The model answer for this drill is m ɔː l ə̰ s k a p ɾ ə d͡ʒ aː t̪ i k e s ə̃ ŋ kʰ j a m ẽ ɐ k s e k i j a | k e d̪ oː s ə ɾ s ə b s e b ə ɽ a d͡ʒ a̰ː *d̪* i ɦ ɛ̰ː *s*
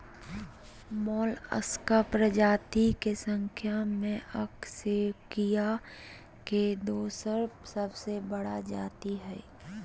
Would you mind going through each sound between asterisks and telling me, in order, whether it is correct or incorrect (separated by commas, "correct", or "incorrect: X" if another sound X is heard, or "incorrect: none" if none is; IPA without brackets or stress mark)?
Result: incorrect: t̪, incorrect: none